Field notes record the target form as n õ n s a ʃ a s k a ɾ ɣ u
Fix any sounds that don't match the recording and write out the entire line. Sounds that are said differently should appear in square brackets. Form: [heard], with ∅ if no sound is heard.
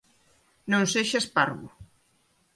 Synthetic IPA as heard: n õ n s [e] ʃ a s [p] a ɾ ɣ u